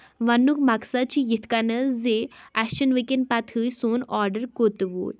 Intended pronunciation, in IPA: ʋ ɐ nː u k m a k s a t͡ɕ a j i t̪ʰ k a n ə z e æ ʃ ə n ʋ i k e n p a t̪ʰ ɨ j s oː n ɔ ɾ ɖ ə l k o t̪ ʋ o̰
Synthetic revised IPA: ʋ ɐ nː u k m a k s a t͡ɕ i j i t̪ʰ k a n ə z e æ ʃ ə n ʋ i k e n p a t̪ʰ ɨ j s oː n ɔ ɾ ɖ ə ɾ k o t̪ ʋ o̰